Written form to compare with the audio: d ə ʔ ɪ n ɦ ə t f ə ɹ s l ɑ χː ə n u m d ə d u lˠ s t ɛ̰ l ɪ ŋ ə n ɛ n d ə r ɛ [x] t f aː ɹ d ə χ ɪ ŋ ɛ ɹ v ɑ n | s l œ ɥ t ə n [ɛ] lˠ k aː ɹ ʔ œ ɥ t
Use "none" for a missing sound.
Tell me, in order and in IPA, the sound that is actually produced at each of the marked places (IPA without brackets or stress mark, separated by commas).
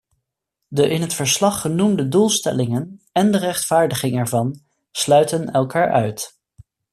χ, ɛ